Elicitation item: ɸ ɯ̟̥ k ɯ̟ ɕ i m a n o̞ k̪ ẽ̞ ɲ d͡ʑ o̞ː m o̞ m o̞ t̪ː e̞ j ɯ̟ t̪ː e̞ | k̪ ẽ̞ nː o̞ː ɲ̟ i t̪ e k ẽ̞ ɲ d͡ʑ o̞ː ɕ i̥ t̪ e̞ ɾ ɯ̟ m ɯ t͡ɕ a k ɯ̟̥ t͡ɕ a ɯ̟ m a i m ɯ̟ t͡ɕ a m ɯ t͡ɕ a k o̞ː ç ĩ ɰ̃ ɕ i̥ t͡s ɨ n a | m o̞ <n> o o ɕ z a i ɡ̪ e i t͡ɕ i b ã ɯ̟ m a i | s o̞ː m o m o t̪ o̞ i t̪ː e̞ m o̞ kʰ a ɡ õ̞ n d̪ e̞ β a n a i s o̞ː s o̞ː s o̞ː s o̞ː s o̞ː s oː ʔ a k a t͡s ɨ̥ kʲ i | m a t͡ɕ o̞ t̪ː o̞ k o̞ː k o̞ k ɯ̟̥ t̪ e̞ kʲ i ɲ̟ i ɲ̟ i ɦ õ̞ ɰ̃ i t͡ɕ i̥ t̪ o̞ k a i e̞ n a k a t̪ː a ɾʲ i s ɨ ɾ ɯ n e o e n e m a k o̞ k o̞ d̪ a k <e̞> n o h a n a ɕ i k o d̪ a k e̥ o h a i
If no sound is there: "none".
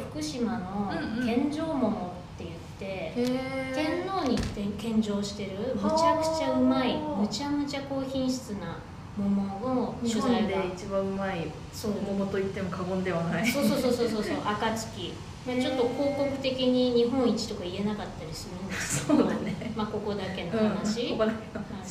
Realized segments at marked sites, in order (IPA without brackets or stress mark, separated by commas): m, e̞